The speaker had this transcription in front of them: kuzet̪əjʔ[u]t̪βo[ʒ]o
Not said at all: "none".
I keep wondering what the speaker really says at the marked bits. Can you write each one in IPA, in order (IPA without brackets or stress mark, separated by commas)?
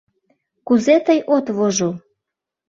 o, ʒ